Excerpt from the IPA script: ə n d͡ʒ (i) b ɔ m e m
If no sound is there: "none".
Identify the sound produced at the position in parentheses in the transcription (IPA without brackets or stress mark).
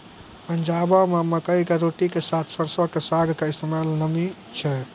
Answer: a